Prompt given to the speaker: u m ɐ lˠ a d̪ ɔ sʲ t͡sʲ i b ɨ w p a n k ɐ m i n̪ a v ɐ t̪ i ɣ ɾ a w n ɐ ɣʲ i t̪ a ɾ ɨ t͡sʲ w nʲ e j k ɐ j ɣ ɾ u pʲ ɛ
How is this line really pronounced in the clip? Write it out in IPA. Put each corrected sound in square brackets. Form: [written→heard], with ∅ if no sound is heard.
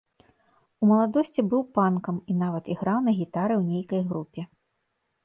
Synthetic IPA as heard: u m ɐ lˠ a d̪ ɔ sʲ t͡sʲ i b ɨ w p a n k ɐ m i n̪ a v ɐ t̪ i ɣ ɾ a w n ɐ ɣʲ i t̪ a ɾ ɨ [t͡sʲ→∅] w nʲ e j k ɐ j ɣ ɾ u pʲ ɛ